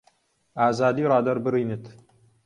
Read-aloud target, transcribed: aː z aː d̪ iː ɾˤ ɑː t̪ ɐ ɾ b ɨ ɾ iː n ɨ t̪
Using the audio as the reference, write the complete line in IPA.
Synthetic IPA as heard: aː z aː d̪ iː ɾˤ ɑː d̪ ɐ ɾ b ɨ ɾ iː n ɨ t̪